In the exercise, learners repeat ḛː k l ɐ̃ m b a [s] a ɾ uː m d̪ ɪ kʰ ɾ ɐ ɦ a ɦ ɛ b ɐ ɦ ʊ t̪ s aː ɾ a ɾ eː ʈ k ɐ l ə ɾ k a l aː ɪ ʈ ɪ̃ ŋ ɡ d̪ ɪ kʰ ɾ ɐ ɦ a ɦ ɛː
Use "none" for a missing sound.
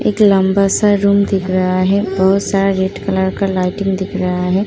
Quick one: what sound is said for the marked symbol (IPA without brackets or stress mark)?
s